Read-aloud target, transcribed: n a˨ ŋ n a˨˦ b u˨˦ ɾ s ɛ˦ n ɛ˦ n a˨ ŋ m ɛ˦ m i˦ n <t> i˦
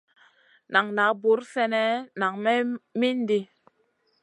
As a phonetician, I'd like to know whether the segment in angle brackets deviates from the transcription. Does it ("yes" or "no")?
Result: yes